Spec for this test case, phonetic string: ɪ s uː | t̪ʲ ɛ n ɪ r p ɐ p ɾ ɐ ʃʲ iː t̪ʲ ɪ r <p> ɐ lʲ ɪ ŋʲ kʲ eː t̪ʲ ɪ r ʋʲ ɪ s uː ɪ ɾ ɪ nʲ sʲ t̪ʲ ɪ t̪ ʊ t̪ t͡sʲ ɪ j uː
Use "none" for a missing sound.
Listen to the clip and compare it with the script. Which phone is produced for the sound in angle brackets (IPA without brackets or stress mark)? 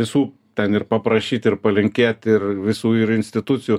p